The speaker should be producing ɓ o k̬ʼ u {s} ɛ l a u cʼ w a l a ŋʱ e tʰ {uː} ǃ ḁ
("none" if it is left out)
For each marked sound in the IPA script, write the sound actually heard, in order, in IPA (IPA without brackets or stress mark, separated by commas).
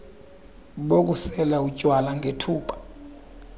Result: s, uː